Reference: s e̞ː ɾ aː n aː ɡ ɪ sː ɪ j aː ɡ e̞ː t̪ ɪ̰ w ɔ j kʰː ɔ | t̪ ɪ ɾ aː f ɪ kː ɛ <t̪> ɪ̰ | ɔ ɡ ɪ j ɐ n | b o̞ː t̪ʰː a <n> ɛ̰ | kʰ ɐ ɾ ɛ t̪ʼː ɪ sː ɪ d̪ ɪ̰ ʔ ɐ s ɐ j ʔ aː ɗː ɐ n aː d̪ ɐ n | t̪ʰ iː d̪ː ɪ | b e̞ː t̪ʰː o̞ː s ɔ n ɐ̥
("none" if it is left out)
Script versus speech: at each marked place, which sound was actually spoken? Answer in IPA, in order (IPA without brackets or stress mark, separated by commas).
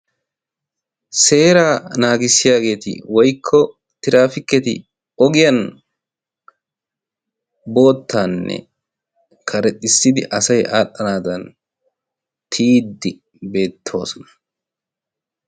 t̪, nː